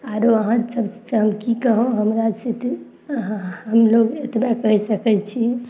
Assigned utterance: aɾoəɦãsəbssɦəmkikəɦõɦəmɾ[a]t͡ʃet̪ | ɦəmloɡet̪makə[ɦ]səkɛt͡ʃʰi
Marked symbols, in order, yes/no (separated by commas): yes, yes